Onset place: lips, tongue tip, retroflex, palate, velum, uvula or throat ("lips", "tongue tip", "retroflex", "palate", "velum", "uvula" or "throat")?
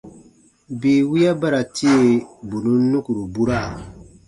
lips